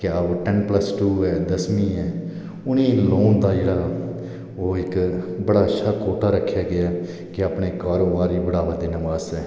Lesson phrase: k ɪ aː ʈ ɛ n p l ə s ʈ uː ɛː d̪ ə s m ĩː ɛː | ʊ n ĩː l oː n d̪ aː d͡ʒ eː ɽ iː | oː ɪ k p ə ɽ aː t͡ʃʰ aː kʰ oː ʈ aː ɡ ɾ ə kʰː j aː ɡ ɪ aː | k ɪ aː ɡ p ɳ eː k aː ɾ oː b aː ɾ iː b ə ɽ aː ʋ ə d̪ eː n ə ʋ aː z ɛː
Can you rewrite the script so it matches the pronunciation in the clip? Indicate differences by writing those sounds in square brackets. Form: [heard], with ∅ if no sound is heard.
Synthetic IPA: k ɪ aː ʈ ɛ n p l ə s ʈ uː ɛː d̪ ə s m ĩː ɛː | ʊ n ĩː l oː n d̪ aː d͡ʒ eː ɽ [aː] | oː ɪ k [b] ə ɽ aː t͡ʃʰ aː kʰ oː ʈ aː [∅] ɾ ə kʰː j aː ɡ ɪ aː | k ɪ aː [∅] p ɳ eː k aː ɾ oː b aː ɾ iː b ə ɽ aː ʋ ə d̪ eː n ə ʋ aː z ɛː

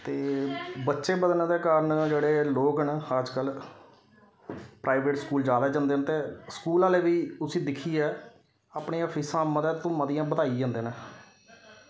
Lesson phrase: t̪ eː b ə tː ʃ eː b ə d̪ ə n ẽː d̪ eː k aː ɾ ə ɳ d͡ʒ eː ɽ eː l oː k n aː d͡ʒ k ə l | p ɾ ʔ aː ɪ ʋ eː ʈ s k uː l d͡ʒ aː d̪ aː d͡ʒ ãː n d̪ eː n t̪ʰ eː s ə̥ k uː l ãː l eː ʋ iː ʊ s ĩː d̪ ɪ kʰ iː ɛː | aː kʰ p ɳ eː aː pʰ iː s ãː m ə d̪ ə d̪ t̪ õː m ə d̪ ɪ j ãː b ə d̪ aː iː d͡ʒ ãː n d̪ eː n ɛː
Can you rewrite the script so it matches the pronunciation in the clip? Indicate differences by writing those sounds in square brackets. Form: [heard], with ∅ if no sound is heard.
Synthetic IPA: t̪ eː b ə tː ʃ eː b ə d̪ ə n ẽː d̪ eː k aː ɾ ə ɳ d͡ʒ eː ɽ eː l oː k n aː d͡ʒ k ə l | p ɾ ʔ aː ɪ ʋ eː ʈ s k uː l d͡ʒ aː d̪ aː d͡ʒ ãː n d̪ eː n [t̪] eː s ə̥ k uː l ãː l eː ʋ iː ʊ s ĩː d̪ ɪ kʰ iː ɛː | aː [∅] p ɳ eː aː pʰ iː s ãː m ə d̪ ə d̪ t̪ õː m ə d̪ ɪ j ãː b ə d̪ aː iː d͡ʒ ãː n d̪ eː n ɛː

